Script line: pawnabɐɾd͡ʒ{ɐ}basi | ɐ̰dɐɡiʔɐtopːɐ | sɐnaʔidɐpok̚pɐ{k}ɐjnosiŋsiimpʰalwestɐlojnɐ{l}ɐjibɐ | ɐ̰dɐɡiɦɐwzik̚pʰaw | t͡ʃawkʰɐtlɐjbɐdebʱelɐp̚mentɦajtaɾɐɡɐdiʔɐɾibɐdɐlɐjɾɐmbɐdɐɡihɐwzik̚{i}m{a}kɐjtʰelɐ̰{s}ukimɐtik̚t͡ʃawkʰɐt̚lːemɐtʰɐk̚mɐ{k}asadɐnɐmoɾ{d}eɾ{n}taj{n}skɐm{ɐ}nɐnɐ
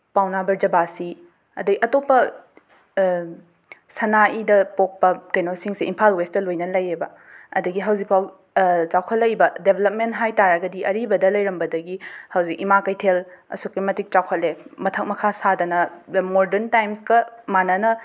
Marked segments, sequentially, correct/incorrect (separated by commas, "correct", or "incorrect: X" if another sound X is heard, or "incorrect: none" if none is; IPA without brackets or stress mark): correct, correct, correct, correct, correct, correct, incorrect: kʰ, correct, correct, incorrect: m, incorrect: a